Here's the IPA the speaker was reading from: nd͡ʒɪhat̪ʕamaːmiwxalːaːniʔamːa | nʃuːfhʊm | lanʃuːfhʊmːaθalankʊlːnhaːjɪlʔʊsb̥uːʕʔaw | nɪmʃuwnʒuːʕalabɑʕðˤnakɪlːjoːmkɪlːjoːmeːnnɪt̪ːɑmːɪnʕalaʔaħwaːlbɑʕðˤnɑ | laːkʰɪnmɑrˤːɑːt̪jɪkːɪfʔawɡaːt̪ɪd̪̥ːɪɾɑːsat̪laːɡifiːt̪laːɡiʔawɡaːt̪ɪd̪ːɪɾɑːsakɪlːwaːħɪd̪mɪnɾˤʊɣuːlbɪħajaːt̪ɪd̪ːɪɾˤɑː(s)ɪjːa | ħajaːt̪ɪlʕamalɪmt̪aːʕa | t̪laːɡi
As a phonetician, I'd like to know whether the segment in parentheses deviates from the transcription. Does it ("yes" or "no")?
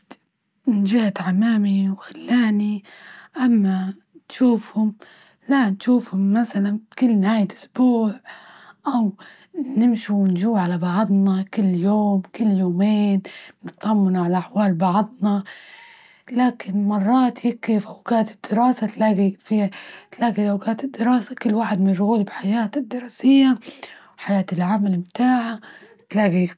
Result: no